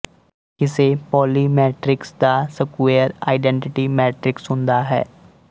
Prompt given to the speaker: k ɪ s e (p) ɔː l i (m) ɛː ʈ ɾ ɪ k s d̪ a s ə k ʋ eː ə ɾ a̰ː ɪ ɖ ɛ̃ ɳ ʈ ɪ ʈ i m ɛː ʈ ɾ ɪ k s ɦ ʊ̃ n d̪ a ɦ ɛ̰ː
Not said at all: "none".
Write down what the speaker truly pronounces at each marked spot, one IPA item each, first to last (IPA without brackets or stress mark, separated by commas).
p, m